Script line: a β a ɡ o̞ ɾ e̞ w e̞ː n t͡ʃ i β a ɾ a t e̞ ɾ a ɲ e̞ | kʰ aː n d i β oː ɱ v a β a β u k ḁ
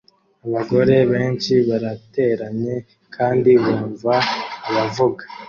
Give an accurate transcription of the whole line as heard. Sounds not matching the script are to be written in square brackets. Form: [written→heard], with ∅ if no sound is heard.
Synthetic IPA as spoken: a β a ɡ o̞ ɾ e̞ [w→β] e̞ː n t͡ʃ i β a ɾ a t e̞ ɾ a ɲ e̞ | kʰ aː n d i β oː ɱ v a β a [β→v] u [k→ɡ] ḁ